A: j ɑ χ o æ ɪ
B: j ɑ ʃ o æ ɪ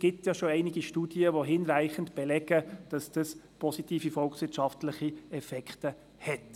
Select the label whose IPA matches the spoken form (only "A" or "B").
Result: B